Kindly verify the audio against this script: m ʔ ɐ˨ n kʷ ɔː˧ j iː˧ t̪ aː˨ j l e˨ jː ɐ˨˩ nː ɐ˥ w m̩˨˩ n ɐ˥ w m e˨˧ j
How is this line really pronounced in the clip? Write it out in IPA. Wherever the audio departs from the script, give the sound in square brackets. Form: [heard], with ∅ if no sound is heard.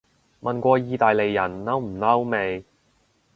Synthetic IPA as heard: m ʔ ɐ˨ n kʷ ɔː˧ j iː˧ t̪ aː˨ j l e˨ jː ɐ˨˩ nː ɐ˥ w m̩˨˩ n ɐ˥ w m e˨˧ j